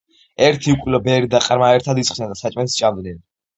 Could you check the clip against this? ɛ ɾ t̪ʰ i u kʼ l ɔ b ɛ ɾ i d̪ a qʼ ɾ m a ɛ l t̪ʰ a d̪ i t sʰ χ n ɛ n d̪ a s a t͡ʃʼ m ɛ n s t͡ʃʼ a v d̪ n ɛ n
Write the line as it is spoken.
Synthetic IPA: ɛ ɾ t̪ʰ i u kʼ l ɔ b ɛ ɾ i d̪ a qʼ ɾ m a ɛ ɾ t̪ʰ a d̪ i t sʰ χ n ɛ n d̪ a s a t͡ʃʼ m ɛ n s t͡ʃʼ a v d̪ n ɛ n